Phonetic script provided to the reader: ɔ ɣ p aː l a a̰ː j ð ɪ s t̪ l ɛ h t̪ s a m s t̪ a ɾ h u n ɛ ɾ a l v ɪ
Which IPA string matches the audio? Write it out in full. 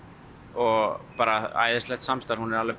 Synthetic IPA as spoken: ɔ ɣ p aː ɾ a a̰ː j ð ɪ s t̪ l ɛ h t̪ s a m s t̪ a ɾ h u n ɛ ɾ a l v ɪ